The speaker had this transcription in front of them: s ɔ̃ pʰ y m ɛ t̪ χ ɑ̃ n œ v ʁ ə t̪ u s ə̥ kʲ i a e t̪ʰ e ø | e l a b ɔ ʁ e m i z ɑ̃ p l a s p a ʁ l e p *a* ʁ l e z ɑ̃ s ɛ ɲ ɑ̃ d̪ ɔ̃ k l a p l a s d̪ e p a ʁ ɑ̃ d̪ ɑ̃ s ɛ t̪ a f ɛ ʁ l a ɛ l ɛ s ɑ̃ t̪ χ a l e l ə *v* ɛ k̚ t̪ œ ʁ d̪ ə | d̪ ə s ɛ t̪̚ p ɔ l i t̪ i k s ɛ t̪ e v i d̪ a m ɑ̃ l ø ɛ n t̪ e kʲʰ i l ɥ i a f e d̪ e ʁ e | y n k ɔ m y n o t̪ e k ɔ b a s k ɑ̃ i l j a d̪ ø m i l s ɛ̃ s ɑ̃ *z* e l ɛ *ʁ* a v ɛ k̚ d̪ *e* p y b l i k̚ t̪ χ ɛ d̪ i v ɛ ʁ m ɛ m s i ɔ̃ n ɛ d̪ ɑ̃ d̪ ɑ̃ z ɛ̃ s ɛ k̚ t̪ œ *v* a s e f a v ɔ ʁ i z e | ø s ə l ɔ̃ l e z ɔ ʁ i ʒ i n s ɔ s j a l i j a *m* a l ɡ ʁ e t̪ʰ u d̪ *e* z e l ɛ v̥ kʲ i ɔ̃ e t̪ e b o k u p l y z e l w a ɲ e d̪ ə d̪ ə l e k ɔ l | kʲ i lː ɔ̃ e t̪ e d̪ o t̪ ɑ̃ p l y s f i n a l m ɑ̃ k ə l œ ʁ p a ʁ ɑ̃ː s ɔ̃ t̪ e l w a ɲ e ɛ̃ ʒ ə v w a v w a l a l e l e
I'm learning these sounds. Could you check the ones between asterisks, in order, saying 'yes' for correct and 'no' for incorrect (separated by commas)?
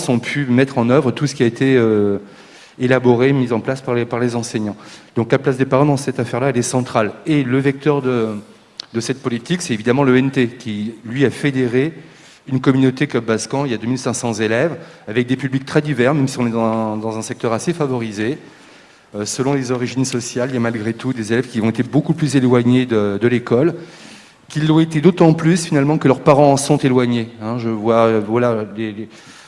yes, yes, yes, no, yes, no, yes, yes